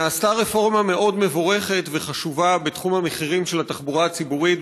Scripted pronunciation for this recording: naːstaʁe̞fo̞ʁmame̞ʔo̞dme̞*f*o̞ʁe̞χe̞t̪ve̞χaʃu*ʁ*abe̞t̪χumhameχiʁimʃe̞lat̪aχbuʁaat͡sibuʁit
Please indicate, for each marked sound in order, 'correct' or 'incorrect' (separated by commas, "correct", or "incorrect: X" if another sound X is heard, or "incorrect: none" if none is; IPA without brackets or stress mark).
incorrect: v, incorrect: v